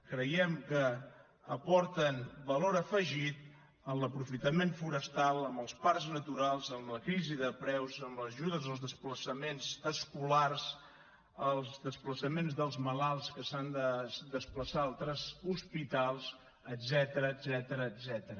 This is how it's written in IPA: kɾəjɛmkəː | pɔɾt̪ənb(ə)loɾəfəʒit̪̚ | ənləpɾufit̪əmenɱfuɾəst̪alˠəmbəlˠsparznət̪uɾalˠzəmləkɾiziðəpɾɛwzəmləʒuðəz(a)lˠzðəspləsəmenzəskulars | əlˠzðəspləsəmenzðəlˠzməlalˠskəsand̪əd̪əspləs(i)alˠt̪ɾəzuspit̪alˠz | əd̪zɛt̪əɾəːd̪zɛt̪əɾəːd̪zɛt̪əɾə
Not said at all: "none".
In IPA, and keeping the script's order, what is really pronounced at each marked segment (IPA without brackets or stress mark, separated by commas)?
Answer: ə, ə, a